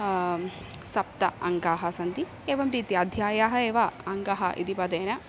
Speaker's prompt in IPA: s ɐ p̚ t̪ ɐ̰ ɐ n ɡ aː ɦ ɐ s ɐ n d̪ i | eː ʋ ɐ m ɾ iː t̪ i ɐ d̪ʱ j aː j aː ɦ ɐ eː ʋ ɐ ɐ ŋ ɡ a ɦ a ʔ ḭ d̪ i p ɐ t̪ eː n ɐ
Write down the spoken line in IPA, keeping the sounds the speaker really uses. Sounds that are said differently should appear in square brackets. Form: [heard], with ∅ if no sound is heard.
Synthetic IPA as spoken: s ɐ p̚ t̪ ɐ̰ ɐ [ŋ] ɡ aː ɦ ɐ s ɐ n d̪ i | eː ʋ ɐ m ɾ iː t̪ i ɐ d̪ʱ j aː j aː ɦ ɐ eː ʋ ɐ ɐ ŋ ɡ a ɦ [ɐ] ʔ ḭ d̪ i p ɐ [d̪] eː n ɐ

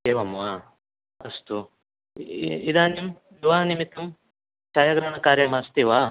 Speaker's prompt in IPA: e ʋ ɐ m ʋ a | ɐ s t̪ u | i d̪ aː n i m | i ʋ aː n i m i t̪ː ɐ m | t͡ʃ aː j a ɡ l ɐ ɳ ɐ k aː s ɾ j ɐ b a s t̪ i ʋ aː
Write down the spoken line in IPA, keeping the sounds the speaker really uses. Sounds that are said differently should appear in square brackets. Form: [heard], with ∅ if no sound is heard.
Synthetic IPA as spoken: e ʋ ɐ m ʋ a | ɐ s t̪ u | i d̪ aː n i m | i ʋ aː n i m i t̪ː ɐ m | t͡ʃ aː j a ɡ [ɾ] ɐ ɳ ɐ k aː [∅] ɾ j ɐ [m] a s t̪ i ʋ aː

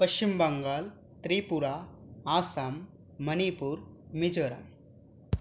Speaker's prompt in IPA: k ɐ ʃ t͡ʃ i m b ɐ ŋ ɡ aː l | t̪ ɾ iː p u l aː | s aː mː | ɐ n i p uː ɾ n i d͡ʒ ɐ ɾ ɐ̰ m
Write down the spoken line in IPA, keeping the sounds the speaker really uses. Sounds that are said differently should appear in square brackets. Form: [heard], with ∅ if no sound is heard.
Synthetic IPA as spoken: [p] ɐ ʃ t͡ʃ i m b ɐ ŋ ɡ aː l | t̪ ɾ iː p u [ɾ] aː | s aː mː | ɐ n i p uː ɾ [m] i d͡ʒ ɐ ɾ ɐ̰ m

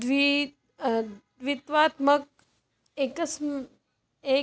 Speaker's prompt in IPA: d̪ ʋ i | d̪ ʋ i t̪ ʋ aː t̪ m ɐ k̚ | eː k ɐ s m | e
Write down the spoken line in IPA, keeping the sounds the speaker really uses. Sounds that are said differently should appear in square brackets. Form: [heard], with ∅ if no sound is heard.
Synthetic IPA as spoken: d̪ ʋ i | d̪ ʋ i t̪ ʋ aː t̪ m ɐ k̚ | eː k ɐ s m | e

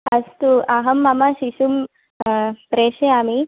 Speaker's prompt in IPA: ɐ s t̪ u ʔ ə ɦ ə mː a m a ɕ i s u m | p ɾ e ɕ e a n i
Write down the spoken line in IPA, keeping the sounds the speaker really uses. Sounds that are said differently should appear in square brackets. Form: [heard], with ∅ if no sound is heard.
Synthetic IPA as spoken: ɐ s t̪ u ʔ [a] ɦ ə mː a m a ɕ i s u m | p ɾ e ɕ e a [m] i

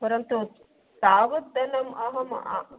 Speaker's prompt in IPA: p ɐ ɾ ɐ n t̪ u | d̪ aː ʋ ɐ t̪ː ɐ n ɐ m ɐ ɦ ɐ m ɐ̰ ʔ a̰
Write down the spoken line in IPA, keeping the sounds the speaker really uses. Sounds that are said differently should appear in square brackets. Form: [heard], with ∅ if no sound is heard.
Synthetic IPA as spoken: p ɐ ɾ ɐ n t̪ u | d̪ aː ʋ ɐ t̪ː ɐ n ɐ m ɐ ɦ ɐ m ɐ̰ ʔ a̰

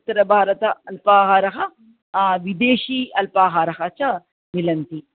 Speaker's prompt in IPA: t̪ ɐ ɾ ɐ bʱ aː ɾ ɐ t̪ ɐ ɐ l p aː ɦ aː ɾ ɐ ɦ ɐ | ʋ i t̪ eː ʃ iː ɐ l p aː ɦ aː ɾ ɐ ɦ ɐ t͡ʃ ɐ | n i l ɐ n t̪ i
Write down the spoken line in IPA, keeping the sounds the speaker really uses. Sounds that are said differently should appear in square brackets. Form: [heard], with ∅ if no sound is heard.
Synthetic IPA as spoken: t̪ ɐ ɾ ɐ bʱ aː ɾ ɐ t̪ ɐ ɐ l p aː ɦ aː ɾ ɐ ɦ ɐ | ʋ i [d̪] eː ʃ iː ɐ l p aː ɦ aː ɾ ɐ ɦ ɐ t͡ʃ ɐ | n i l ɐ n t̪ i

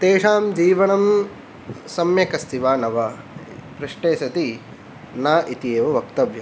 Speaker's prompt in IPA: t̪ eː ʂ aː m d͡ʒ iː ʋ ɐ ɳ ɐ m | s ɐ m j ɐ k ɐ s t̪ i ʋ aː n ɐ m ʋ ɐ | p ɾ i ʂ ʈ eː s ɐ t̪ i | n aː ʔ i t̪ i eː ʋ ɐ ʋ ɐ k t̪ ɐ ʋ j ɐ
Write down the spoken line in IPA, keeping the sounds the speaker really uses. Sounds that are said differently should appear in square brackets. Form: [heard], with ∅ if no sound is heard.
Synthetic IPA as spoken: t̪ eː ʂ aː m d͡ʒ iː ʋ ɐ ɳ ɐ m | s ɐ m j ɐ k ɐ s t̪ i ʋ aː n ɐ [∅] ʋ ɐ | p ɾ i ʂ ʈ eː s ɐ t̪ i | n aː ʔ i t̪ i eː ʋ ɐ ʋ ɐ k t̪ ɐ ʋ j ɐ

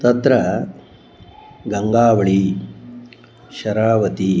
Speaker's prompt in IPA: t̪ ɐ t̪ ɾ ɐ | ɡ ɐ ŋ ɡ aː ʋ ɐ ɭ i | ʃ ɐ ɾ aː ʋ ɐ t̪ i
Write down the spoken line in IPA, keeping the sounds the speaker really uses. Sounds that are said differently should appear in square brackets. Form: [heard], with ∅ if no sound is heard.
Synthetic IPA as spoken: t̪ ɐ t̪ ɾ ɐ | ɡ ɐ ŋ ɡ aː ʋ ɐ ɭ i | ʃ ɐ ɾ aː ʋ ɐ t̪ i

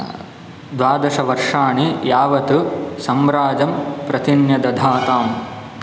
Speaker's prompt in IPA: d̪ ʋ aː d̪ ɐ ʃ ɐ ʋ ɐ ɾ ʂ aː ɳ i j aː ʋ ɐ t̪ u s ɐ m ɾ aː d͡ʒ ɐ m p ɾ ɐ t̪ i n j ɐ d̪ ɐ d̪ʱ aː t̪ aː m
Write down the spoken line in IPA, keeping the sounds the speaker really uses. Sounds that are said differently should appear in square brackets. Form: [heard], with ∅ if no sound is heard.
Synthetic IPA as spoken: d̪ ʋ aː d̪ ɐ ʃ ɐ ʋ ɐ ɾ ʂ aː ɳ i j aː ʋ ɐ t̪ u s ɐ m ɾ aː d͡ʒ ɐ m p ɾ ɐ t̪ i n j ɐ d̪ ɐ d̪ʱ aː t̪ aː m

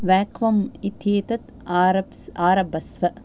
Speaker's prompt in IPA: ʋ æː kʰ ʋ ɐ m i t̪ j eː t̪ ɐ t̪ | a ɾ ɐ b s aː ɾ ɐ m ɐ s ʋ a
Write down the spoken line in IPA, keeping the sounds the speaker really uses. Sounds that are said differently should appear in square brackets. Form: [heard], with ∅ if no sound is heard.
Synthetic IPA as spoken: ʋ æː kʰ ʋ ɐ m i t̪ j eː t̪ ɐ t̪ | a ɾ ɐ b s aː ɾ ɐ [b] ɐ s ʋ [ɐ]

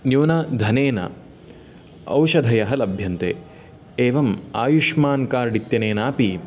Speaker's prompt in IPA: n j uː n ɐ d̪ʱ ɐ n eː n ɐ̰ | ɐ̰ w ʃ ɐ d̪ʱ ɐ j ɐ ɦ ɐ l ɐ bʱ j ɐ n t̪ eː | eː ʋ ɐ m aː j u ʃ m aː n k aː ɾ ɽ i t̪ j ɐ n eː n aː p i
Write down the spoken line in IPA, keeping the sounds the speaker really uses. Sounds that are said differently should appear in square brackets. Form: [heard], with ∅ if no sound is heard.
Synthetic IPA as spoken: n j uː n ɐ d̪ʱ ɐ n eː n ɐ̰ | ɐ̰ w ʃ ɐ d̪ʱ ɐ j ɐ ɦ ɐ l ɐ bʱ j ɐ n t̪ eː | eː ʋ ɐ m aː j u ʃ m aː n k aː ɾ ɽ i t̪ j ɐ n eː n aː p i

